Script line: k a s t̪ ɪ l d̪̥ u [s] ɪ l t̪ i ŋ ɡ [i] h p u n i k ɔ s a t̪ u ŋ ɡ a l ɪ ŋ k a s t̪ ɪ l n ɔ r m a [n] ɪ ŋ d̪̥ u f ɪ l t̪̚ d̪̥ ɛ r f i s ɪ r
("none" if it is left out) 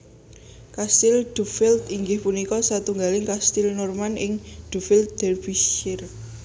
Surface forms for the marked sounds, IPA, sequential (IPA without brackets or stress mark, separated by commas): f, ɪ, n